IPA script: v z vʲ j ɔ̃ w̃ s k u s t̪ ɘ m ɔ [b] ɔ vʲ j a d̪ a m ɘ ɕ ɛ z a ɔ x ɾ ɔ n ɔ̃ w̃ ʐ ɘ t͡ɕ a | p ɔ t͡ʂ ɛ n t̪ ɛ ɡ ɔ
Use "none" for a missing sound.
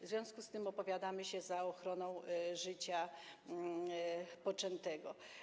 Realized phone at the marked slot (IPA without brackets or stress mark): p